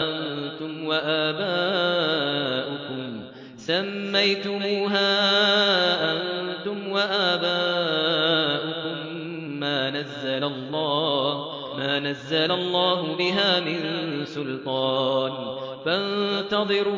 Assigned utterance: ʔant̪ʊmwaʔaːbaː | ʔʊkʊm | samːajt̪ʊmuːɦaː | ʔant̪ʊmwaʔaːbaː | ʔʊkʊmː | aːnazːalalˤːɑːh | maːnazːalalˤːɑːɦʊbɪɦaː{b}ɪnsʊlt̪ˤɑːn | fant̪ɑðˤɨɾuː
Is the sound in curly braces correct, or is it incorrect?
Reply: incorrect: m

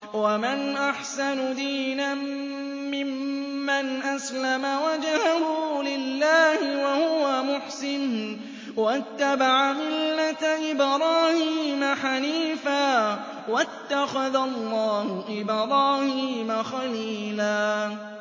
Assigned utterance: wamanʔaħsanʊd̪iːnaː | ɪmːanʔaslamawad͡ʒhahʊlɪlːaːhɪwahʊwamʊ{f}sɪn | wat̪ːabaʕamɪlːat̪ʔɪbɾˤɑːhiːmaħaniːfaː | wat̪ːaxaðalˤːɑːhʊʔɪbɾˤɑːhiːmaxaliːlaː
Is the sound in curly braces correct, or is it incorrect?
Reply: incorrect: ħ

